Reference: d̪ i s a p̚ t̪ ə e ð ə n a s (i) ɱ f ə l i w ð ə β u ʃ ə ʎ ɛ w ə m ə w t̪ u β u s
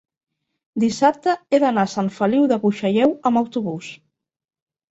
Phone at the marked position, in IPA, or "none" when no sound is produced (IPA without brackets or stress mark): a